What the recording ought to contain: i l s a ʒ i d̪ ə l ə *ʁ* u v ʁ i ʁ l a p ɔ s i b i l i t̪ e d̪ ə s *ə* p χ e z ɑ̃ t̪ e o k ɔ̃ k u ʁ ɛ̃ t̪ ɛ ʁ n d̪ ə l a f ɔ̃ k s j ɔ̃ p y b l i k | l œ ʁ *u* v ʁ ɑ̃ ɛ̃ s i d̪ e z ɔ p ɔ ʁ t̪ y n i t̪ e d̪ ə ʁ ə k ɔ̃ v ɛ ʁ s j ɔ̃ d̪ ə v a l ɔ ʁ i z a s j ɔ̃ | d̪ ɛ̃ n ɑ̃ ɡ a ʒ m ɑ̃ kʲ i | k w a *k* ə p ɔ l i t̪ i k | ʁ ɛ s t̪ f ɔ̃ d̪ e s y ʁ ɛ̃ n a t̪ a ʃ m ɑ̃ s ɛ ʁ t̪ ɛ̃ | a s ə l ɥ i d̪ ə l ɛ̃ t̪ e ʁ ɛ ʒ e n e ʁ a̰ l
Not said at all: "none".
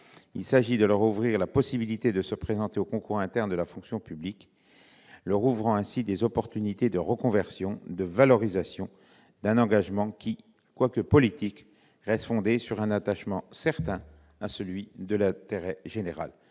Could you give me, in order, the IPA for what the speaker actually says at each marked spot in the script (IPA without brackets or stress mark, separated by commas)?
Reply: ʁ, ə, u, k